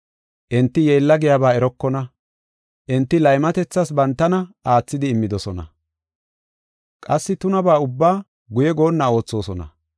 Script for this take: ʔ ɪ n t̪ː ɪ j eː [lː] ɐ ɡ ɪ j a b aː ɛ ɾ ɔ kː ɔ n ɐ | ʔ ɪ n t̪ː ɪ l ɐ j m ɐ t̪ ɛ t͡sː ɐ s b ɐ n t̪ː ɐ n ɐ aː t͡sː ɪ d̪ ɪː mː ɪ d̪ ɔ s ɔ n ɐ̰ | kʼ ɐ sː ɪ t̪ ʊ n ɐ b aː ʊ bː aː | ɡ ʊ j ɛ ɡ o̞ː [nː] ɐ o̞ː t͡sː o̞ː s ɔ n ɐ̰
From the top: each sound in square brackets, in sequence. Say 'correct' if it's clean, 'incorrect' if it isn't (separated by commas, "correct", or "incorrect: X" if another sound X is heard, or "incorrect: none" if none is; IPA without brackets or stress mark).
correct, correct